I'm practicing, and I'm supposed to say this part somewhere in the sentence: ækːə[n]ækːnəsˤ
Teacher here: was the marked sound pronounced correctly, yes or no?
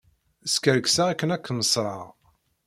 yes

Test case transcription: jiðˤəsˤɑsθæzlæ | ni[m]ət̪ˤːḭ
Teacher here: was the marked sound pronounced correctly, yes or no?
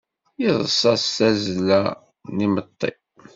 yes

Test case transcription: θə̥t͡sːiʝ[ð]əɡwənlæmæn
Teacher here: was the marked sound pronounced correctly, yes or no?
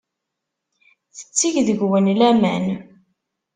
yes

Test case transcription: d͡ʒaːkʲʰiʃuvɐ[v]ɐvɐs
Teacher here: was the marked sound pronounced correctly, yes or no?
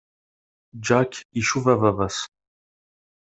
yes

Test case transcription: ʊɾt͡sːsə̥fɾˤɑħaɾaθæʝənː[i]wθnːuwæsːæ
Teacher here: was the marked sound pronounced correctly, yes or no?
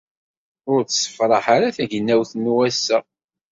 no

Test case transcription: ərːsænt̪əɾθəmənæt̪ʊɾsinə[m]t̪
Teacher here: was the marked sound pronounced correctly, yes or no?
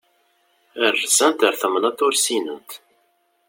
no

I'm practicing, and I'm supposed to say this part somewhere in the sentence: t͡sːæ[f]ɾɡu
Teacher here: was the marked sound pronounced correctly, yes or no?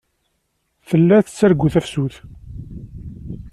no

